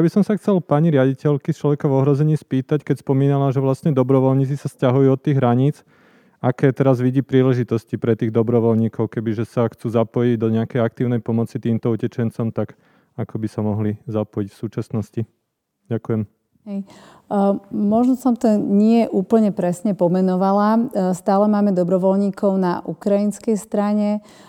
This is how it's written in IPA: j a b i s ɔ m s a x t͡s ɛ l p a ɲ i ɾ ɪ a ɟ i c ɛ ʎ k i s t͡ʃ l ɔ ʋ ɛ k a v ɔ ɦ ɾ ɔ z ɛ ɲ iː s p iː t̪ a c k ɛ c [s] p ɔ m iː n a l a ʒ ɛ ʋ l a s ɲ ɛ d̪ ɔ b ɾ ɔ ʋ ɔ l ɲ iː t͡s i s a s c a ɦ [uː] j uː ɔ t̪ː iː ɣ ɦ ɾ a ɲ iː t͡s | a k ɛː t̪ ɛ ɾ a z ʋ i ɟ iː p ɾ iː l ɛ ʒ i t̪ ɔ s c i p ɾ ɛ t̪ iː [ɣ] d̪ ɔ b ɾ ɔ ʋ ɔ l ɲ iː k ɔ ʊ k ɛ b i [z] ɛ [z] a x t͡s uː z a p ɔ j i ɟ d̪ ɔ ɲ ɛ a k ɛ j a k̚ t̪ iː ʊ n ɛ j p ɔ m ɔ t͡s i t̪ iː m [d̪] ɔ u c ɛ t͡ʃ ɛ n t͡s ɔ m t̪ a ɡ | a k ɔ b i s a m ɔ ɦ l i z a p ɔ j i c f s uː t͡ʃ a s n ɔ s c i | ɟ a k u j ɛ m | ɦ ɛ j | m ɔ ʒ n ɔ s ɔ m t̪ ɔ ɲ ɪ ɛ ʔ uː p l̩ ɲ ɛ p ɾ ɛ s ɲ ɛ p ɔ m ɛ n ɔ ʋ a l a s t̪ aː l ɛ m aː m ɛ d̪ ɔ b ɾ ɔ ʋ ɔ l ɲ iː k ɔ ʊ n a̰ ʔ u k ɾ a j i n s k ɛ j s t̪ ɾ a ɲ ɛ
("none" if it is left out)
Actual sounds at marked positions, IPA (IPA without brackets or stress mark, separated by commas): s, u, ɣ, ʒ, s, t̪